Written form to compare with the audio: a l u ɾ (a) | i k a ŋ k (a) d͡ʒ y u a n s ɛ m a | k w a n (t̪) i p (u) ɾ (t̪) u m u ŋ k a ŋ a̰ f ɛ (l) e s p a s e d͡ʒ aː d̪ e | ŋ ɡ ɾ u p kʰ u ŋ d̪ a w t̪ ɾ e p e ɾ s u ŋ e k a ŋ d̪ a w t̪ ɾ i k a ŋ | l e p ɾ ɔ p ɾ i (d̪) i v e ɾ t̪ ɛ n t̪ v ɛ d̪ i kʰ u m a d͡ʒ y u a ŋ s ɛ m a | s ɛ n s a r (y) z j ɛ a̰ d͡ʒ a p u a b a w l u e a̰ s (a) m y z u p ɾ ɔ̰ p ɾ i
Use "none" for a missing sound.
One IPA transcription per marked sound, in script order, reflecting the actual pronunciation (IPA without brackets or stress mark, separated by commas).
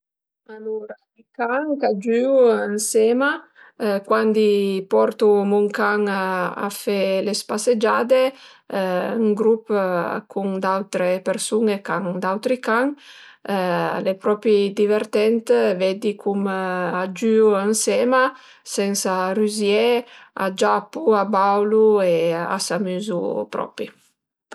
a, a, d̪, ɔ, t̪, l, d̪, y, a